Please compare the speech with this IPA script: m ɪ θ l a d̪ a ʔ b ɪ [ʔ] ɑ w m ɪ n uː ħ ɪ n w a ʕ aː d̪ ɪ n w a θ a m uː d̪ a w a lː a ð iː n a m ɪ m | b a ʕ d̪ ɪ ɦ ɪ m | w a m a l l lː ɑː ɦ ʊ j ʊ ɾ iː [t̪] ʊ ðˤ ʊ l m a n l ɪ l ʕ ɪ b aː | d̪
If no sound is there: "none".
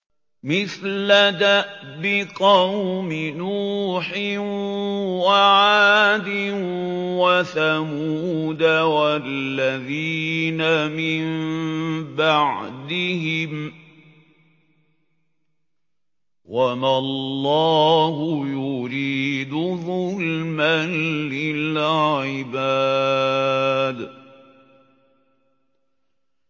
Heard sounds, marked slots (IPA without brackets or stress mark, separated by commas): q, d̪